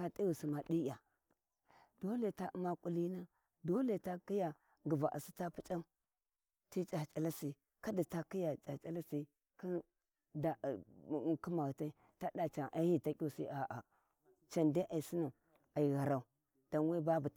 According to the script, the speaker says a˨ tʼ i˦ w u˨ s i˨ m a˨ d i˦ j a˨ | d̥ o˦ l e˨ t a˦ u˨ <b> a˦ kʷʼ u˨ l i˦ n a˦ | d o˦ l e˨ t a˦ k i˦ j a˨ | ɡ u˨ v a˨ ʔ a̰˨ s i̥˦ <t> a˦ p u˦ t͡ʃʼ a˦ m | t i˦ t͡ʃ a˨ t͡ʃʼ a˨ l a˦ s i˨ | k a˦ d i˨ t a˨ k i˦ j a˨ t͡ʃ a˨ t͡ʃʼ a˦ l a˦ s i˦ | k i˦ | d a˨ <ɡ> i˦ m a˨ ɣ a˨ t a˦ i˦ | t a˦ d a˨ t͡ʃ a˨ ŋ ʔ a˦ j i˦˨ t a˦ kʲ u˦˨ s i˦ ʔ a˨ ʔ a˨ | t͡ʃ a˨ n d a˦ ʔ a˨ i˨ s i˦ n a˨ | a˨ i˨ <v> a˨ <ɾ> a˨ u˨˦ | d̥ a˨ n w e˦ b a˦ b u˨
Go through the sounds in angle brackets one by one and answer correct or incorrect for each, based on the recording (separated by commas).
incorrect, correct, incorrect, incorrect, correct